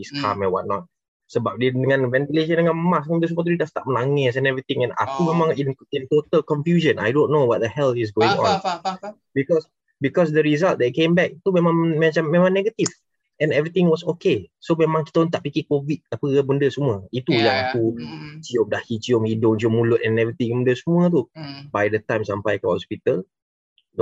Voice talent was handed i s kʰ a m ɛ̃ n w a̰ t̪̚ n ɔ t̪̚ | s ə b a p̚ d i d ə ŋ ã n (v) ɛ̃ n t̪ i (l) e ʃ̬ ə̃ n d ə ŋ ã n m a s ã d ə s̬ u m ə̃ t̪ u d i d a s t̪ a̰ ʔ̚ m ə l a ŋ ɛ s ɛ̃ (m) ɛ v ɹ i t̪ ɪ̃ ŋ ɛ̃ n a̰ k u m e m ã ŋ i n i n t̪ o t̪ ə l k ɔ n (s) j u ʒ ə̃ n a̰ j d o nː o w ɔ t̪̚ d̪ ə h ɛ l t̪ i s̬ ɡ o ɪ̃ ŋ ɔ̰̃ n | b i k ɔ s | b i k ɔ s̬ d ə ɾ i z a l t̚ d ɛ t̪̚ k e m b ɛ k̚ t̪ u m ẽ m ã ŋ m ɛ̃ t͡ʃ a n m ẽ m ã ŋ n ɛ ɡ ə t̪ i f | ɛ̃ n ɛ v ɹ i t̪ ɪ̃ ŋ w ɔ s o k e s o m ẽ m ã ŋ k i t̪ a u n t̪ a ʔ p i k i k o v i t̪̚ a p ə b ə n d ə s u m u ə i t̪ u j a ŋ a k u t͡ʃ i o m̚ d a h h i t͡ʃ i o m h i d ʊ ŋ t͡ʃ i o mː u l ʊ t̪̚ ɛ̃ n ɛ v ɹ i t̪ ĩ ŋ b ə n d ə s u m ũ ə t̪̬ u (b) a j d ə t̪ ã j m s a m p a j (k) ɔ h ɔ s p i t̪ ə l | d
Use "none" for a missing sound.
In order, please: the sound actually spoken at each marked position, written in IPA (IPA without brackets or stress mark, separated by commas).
v, l, n, f, b, k